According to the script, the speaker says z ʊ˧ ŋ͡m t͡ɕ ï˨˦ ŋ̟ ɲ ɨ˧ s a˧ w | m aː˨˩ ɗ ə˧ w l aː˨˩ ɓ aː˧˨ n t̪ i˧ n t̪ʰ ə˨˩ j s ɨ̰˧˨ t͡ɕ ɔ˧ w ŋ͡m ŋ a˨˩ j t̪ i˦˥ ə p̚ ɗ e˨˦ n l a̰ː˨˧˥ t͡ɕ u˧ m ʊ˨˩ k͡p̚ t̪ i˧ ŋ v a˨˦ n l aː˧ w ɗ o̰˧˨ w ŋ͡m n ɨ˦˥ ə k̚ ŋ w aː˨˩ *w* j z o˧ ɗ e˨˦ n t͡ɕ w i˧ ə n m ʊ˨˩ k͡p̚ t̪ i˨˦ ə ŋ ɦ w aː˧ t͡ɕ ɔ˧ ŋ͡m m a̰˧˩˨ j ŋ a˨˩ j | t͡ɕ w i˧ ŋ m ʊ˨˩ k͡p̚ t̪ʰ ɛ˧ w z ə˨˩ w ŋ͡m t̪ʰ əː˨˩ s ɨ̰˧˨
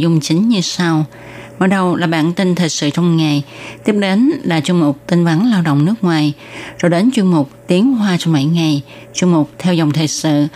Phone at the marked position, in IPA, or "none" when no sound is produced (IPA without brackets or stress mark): none